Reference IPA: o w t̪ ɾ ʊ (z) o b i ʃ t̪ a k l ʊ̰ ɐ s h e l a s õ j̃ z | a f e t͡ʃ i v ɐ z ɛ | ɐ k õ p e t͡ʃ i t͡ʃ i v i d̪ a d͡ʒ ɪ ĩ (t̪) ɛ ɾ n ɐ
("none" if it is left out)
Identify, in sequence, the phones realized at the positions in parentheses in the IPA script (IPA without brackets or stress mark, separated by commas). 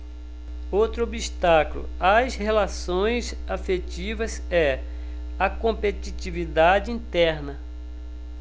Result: none, t̪